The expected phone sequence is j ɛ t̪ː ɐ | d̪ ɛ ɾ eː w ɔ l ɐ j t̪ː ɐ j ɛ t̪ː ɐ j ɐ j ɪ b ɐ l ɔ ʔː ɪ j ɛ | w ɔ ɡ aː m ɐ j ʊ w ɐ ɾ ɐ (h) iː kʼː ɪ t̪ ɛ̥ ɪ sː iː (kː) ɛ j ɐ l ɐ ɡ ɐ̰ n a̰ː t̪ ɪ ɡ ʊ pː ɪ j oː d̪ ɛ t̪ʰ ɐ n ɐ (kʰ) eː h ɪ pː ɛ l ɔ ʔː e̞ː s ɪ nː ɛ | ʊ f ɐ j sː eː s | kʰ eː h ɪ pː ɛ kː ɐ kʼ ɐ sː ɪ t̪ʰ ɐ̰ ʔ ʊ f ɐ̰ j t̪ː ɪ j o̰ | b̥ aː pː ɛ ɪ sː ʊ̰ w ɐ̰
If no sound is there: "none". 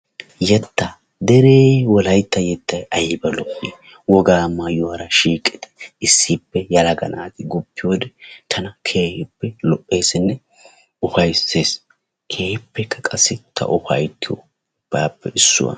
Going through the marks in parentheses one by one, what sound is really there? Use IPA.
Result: ʃ, pː, kʰ

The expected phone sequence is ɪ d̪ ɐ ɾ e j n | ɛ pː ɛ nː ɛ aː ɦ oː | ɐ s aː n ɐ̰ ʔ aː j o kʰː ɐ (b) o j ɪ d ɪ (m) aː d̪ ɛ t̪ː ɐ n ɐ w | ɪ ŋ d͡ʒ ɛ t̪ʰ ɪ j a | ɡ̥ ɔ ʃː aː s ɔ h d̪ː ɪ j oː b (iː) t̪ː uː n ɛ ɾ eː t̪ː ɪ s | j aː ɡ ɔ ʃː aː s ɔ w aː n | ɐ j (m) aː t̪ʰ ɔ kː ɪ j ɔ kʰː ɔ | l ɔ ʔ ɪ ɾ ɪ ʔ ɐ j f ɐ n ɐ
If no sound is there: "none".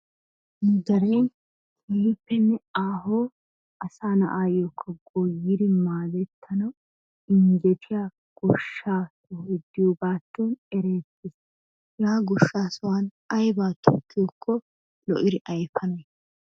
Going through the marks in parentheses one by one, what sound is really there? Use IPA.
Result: ɡ, m, aː, b

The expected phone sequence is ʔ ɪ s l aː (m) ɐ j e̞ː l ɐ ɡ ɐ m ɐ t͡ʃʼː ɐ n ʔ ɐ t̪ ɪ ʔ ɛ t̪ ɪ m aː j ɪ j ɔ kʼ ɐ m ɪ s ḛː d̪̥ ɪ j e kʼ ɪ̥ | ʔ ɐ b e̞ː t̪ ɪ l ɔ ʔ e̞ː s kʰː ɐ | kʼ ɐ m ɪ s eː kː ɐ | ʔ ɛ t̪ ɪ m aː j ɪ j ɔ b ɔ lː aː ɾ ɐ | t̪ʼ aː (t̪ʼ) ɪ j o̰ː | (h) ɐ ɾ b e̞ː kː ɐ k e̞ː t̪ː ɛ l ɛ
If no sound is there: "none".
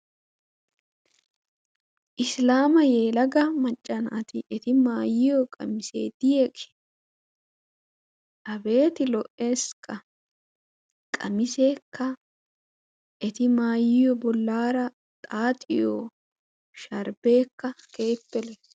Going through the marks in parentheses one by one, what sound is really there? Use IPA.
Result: m, t̪ʼ, ʃ

